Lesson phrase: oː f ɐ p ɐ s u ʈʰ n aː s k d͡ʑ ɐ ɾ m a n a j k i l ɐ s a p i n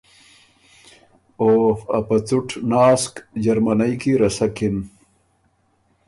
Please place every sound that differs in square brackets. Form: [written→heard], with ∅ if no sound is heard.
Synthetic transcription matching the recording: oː f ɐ p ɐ [s→t͡s] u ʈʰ n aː s k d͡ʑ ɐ ɾ m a n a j k i [l→ɾ] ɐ s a [p→k] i n